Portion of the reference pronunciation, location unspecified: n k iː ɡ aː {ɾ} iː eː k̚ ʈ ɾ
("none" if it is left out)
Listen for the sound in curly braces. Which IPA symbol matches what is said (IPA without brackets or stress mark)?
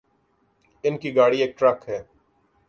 ɽ